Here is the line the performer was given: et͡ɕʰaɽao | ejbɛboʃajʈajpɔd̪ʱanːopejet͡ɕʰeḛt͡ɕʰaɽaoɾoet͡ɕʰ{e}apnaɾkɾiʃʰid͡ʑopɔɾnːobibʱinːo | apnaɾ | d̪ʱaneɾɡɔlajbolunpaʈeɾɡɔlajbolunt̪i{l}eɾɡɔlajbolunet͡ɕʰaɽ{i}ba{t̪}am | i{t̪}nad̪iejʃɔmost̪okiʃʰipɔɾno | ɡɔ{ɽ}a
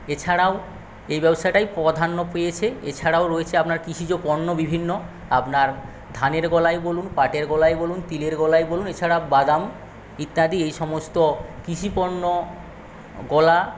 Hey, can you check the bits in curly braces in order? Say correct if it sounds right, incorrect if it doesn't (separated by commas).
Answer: correct, correct, incorrect, incorrect, correct, incorrect